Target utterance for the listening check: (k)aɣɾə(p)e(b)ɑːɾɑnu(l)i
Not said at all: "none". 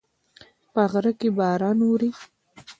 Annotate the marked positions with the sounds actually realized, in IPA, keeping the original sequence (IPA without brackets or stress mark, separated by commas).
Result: p, k, b, ɾ